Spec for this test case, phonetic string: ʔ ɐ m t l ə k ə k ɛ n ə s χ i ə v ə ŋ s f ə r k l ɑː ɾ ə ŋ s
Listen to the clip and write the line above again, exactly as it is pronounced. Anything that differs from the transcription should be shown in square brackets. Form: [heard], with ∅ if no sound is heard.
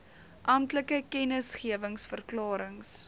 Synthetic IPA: ʔ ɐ m t l ə k ə k ɛ n ə s χ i ə v ə ŋ s f ə r k l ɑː ɾ ə ŋ s